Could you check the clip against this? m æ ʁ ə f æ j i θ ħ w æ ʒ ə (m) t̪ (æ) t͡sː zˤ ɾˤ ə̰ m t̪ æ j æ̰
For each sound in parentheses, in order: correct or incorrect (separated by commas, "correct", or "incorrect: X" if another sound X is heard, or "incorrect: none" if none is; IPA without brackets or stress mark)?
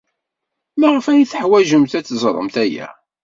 correct, correct